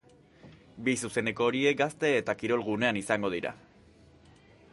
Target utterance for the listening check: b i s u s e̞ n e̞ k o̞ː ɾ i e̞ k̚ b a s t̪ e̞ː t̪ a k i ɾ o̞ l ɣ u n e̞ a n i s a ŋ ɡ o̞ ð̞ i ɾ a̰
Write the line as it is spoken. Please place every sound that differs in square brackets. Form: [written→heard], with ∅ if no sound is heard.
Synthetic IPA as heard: b i s u s e̞ n e̞ k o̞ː ɾ i e̞ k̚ [b→ɡ] a s t̪ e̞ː t̪ a k i ɾ o̞ l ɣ u n e̞ a n i s a ŋ ɡ o̞ ð̞ i ɾ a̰